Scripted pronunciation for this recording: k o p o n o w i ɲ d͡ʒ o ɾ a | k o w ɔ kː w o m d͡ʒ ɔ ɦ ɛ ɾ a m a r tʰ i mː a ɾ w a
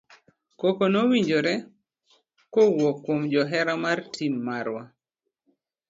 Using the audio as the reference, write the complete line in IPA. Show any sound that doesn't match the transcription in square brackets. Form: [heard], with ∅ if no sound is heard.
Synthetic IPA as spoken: k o [k] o n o w i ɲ d͡ʒ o ɾ [ɛ] | k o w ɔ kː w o m d͡ʒ ɔ ɦ ɛ ɾ a m a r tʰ i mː a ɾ w a